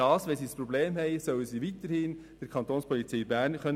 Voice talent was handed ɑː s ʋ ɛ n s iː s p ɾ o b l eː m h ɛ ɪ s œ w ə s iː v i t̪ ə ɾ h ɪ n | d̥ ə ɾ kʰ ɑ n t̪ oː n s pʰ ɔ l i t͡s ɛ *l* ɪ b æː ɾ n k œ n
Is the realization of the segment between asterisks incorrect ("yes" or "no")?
yes